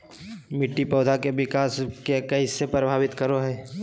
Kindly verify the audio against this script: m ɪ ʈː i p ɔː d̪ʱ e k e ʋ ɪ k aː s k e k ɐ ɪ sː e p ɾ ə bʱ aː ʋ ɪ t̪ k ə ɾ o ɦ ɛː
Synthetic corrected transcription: m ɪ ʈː i p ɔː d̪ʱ a k e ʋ ɪ k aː s k e k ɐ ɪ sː e p ɾ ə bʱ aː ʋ ɪ t̪ k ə ɾ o ɦ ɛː

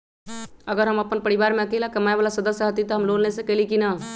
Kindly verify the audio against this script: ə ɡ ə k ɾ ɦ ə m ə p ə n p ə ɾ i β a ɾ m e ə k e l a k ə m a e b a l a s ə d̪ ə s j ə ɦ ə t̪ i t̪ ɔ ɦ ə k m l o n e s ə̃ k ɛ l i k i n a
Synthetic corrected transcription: ə ɡ ə ɾ ɦ ə m ə p ə n p ə ɾ i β a ɾ m e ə k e l a k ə m a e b a l a s ə d̪ ə s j ə ɦ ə t̪ i t̪ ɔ ɦ ə m l o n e s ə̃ k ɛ l i k i n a

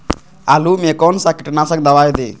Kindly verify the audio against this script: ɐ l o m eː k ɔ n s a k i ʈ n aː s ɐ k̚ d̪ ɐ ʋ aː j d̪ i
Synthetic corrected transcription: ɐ l u m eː k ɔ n s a k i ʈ n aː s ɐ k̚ d̪ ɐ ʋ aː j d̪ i

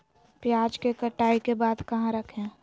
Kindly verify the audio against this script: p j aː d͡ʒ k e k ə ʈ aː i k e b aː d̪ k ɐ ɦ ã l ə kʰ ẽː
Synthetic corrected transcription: p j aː d͡ʒ k e k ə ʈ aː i k e b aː d̪ k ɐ ɦ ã ɾ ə kʰ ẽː

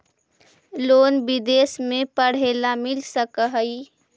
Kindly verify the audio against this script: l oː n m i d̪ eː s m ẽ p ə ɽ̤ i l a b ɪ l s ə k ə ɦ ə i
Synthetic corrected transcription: l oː n b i d̪ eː s m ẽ p ə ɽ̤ e l a m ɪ l s ə k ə ɦ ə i

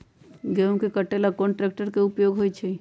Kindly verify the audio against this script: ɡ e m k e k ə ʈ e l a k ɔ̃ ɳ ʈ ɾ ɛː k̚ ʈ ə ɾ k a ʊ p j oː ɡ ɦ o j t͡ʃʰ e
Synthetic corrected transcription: ɡ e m k e k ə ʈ e l a k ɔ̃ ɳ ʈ ɾ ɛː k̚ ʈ ə ɾ k e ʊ p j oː ɡ ɦ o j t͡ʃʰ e

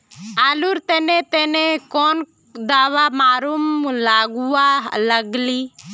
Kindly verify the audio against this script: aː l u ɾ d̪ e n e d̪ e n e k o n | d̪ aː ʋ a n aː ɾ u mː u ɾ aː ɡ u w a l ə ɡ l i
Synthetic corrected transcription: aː l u ɾ t̪ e n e t̪ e n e k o n | d̪ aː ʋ a m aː ɾ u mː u l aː ɡ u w a l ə ɡ l i

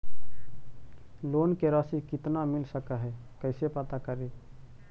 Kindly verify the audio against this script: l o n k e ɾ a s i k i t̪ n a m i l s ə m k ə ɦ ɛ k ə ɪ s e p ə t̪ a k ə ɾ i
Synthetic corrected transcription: l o n k e ɾ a s i k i t̪ n a m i l s ə k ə ɦ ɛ k ə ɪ s e p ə t̪ a k ə ɾ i

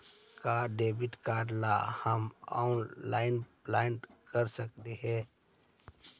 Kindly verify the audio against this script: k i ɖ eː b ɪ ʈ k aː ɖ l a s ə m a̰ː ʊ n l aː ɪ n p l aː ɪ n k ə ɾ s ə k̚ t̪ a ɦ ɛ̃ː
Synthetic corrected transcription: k a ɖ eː b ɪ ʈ k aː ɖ l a h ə m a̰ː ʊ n l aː ɪ n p l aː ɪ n k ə ɾ s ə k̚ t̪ e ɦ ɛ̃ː

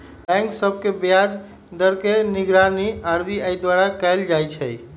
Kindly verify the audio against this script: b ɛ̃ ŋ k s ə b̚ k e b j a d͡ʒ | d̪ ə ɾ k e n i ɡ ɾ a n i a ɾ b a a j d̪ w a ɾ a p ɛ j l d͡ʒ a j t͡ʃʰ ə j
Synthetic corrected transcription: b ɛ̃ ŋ k s ə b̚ k e b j a d͡ʒ | d̪ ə ɾ k e n i ɡ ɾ a n i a ɾ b i a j d̪ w a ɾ a k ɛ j l d͡ʒ a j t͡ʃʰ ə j

